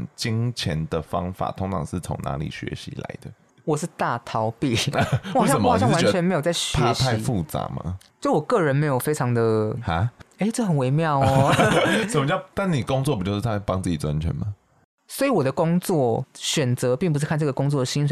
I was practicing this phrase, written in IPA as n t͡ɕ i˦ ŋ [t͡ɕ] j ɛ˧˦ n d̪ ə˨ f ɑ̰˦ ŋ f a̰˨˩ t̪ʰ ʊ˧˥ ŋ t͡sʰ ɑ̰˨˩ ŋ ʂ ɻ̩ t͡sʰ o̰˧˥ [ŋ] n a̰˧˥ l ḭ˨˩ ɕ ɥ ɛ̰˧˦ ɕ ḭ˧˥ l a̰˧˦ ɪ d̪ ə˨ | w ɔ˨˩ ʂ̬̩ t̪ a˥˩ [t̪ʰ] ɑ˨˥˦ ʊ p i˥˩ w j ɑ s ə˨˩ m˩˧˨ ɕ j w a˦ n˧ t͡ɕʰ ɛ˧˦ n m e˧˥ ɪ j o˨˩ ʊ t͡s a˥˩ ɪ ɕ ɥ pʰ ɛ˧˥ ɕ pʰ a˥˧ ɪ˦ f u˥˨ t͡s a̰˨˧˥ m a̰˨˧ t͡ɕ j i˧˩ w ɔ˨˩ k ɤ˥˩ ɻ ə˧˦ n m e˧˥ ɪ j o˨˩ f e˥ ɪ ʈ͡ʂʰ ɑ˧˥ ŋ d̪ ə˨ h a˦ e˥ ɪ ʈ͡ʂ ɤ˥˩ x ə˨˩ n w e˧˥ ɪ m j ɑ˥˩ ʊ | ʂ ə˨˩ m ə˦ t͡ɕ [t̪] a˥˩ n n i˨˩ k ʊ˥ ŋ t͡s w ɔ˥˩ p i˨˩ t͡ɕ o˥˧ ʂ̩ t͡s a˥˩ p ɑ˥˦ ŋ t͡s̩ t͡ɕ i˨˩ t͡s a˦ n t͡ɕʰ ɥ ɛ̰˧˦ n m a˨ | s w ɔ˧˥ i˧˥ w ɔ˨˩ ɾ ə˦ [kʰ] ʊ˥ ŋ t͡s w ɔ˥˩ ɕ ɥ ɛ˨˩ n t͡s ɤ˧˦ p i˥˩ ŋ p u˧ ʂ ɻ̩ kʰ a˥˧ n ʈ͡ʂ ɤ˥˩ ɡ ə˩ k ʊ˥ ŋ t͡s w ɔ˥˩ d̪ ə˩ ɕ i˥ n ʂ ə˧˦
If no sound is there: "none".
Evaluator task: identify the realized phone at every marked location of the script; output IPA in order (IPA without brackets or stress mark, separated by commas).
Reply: t͡ɕʰ, ŋ, t̪ʰ, t̪, k